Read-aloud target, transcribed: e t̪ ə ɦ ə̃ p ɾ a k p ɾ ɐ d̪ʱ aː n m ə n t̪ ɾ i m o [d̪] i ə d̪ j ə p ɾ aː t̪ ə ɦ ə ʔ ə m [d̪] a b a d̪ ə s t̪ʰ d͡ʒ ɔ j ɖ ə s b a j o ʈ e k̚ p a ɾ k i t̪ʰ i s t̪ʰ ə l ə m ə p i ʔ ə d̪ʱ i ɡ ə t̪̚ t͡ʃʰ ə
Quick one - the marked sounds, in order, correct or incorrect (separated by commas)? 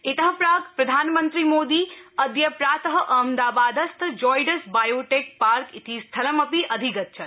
correct, correct